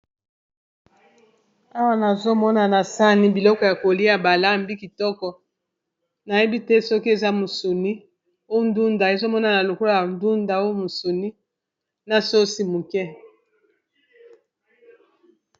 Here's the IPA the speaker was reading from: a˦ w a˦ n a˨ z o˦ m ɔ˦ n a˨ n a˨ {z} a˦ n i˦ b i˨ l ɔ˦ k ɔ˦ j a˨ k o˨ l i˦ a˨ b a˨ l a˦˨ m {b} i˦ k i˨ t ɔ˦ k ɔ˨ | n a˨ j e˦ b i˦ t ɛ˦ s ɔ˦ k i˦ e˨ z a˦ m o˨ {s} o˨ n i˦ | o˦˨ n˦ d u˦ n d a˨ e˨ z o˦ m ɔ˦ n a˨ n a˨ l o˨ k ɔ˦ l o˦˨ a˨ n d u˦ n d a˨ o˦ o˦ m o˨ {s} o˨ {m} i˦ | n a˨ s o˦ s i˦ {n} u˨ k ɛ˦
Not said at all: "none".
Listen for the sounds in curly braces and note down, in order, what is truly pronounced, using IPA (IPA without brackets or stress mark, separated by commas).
s, b, s, s, n, m